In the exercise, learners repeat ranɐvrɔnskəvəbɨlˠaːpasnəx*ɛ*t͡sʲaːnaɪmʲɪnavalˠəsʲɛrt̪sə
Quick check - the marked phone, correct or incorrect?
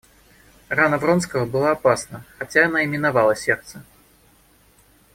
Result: incorrect